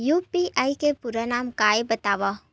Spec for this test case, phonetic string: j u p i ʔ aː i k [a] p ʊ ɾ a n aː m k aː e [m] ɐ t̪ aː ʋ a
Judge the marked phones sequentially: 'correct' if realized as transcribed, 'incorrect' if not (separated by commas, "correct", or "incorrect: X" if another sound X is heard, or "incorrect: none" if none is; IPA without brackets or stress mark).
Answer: incorrect: e, incorrect: b